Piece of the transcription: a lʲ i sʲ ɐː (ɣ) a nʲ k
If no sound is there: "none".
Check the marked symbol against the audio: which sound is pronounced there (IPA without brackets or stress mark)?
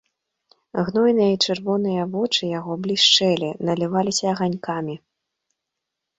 ɣ